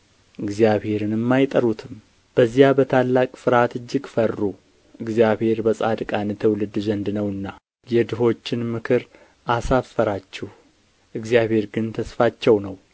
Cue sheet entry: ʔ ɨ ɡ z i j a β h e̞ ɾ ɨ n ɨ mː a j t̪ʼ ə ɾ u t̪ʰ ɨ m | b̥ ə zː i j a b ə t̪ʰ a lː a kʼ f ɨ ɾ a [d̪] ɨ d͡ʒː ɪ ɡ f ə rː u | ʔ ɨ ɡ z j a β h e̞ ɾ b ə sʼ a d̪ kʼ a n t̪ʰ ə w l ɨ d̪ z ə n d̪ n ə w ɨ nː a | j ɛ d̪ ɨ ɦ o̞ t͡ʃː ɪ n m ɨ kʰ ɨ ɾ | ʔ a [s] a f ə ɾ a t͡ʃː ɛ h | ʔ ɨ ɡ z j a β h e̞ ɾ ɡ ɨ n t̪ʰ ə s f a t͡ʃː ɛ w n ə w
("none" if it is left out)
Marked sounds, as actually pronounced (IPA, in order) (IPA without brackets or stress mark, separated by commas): t̪, s